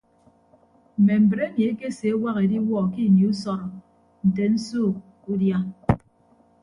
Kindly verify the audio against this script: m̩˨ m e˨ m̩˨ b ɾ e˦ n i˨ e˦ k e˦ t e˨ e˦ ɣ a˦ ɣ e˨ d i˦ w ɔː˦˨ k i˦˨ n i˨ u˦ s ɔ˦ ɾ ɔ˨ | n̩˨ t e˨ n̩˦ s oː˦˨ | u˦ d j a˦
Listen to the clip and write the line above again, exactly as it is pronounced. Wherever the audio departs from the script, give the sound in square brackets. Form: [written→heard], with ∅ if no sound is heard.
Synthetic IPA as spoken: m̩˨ m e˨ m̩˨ b ɾ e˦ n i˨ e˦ k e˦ [t→s] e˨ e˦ [ɣ→w] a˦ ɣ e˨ d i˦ w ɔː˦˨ k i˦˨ n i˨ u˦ s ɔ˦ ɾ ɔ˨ | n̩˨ t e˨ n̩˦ s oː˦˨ | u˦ d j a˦